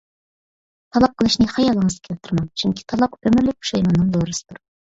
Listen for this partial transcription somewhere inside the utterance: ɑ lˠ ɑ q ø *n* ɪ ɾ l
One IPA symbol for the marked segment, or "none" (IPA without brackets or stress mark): m